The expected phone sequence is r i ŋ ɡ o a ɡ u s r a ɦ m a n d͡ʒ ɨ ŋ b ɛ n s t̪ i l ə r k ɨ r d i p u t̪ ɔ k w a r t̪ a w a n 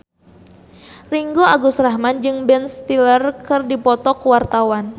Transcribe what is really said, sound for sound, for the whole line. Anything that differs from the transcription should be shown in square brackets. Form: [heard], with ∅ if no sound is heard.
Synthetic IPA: r i ŋ ɡ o a ɡ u s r a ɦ m a n d͡ʒ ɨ ŋ b ɛ n s t̪ i l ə r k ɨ r d i p [ɔ] t̪ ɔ k w a r t̪ a w a n